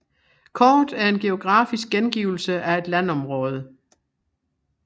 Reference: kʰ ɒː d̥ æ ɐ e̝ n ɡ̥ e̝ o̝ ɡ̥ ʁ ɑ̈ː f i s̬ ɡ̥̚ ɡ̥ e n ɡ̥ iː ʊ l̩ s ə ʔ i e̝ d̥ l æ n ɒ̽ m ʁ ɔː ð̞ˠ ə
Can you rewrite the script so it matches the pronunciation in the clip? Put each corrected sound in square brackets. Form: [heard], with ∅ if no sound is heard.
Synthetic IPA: kʰ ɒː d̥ æ ɐ e̝ n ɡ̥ e̝ o̝ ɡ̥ ʁ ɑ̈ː f i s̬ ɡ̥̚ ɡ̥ e n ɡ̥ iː ʊ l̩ s ə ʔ [æ] e̝ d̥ l æ n ɒ̽ m ʁ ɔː ð̞ˠ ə